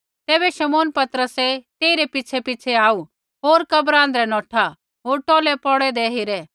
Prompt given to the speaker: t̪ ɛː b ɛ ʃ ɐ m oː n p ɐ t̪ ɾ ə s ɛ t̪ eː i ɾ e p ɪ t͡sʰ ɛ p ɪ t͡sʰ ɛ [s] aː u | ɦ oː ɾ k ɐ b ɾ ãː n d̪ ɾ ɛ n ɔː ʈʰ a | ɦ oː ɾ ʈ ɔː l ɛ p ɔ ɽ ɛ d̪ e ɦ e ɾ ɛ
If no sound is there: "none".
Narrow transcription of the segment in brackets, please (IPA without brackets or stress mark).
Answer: none